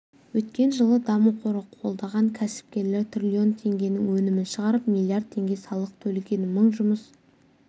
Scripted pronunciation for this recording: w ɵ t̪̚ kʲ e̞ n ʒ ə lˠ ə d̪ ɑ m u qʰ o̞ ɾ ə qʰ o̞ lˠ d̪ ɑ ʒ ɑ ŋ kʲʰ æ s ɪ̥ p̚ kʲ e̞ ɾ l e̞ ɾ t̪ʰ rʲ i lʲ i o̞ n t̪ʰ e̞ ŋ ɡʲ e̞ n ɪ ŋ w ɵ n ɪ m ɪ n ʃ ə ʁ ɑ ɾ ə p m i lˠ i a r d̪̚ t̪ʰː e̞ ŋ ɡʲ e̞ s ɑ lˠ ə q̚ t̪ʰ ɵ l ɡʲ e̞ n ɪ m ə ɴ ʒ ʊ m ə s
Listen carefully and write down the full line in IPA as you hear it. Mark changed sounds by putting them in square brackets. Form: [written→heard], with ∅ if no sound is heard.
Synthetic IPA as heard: w ɵ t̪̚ kʲ e̞ n ʒ ə lˠ ə d̪ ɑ m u qʰ o̞ ɾ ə qʰ o̞ lˠ d̪ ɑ [ʒ→ʁ] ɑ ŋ kʲʰ æ s ɪ̥ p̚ kʲ e̞ ɾ l e̞ ɾ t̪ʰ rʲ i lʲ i o̞ n t̪ʰ e̞ ŋ ɡʲ e̞ n ɪ ŋ w ɵ n ɪ m ɪ n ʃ ə ʁ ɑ ɾ ə p m i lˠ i a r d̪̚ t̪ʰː e̞ ŋ ɡʲ e̞ s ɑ lˠ ə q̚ t̪ʰ ɵ l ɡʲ e̞ n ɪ m ə ɴ ʒ ʊ m ə s

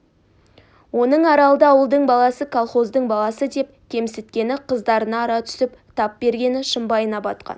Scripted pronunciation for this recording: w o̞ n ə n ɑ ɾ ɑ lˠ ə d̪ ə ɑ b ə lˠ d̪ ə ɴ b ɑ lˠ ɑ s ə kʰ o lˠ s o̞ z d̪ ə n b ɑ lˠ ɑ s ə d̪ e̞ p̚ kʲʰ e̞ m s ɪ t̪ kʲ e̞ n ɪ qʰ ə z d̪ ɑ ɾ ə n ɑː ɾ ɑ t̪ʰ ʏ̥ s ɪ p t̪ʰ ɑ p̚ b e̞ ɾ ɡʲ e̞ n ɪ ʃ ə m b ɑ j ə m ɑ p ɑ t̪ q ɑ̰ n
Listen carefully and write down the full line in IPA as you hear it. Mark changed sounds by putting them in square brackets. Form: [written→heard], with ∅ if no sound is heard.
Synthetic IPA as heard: w o̞ n ə [n→ɴ] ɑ ɾ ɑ lˠ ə d̪ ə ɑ [b→w] ə lˠ d̪ ə ɴ b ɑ lˠ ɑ s ə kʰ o lˠ [s→χ] o̞ z d̪ ə [n→ɴ] b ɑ lˠ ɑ s ə d̪ e̞ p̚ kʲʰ e̞ m s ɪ t̪ kʲ e̞ n ɪ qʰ ə z d̪ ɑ ɾ ə n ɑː ɾ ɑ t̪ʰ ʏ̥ s ɪ p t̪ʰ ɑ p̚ b e̞ ɾ ɡʲ e̞ n ɪ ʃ ə m b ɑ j ə [m→n] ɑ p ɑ t̪ q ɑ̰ n

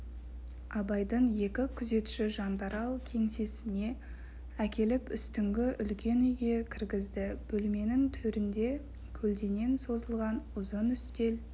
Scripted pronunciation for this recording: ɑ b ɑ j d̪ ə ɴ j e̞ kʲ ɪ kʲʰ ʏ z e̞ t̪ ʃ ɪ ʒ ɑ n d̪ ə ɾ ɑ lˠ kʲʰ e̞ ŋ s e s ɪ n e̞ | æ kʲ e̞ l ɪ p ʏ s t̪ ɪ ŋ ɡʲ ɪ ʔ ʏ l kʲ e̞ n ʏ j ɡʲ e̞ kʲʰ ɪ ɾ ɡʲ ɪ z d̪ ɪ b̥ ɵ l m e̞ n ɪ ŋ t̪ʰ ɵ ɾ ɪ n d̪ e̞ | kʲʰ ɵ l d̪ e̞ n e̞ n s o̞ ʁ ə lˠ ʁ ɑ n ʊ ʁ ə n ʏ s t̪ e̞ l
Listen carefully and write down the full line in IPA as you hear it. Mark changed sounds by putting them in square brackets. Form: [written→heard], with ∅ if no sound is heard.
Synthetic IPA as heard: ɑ b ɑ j d̪ ə ɴ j e̞ kʲ ɪ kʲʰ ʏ z e̞ t̪ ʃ ɪ ʒ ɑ n d̪ [ə→ɑ] ɾ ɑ lˠ kʲʰ e̞ ŋ s e s ɪ n e̞ | æ kʲ e̞ l ɪ p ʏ s t̪ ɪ ŋ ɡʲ ɪ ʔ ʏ l kʲ e̞ n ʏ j ɡʲ e̞ kʲʰ ɪ ɾ ɡʲ ɪ z d̪ ɪ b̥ ɵ l m e̞ n ɪ ŋ t̪ʰ ɵ ɾ ɪ n d̪ e̞ | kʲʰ ɵ l d̪ e̞ n e̞ n s o̞ [ʁ→z] ə lˠ ʁ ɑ n ʊ [ʁ→z] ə n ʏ s t̪ e̞ l

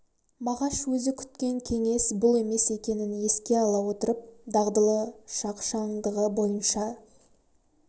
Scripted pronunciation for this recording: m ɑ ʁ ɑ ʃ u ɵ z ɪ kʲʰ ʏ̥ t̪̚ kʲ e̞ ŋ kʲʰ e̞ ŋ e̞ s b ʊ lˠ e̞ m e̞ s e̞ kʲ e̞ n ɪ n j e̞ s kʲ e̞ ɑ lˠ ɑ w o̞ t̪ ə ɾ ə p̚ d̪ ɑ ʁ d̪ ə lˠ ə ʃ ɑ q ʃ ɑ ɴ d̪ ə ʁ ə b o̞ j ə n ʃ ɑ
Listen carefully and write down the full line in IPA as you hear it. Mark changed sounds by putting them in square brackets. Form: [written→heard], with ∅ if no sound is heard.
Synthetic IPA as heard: m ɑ ʁ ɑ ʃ [u→w] ɵ z ɪ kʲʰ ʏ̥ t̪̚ kʲ e̞ ŋ kʲʰ e̞ ŋ e̞ s b ʊ lˠ e̞ m e̞ s e̞ kʲ e̞ n ɪ n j e̞ s kʲ e̞ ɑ lˠ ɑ w o̞ t̪ ə ɾ ə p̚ d̪ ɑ ʁ d̪ ə lˠ ə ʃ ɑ q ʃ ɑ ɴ d̪ ə ʁ ə b o̞ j ə n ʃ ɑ

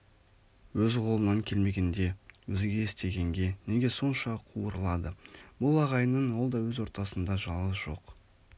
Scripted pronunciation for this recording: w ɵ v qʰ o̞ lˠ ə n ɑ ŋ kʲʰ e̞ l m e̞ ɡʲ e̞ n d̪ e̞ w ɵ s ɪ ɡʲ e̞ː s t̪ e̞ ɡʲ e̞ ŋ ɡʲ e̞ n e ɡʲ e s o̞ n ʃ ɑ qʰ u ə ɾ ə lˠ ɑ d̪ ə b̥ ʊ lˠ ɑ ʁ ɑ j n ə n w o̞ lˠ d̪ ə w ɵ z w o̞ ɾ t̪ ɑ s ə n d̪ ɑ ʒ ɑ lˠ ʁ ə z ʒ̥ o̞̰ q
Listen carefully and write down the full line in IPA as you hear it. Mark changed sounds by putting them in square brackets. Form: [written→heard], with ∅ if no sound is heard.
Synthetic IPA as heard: w ɵ [v→z] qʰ o̞ lˠ ə n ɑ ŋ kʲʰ e̞ l m e̞ ɡʲ e̞ n d̪ e̞ w ɵ [s→z] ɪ ɡʲ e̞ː s t̪ e̞ ɡʲ e̞ ŋ ɡʲ e̞ n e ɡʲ e s o̞ n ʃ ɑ qʰ u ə ɾ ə lˠ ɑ d̪ ə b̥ ʊ lˠ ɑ ʁ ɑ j n ə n w o̞ lˠ d̪ [ə→ɑ] w ɵ z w o̞ ɾ t̪ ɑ s ə n d̪ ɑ ʒ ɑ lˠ ʁ ə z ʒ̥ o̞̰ q

